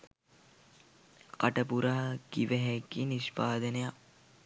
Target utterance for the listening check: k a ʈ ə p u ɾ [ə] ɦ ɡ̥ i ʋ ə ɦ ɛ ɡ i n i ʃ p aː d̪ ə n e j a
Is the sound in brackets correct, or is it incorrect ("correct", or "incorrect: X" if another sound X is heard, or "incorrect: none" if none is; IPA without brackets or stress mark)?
incorrect: a